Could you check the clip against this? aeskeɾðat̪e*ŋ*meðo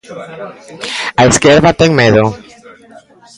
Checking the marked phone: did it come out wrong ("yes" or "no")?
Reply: no